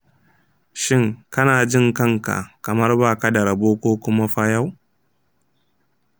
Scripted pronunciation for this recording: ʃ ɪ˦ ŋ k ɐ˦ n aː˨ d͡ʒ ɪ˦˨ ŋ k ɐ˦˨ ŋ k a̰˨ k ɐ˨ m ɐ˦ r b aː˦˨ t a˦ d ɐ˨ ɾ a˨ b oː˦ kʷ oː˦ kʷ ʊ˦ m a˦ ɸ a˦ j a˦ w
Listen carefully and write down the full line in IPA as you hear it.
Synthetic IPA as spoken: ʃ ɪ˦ ŋ k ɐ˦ n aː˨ d͡ʒ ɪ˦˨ ŋ k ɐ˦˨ ŋ k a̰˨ k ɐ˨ m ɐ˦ r b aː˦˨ k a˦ d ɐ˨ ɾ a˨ b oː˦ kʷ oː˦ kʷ ʊ˦ m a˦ ɸ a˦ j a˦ w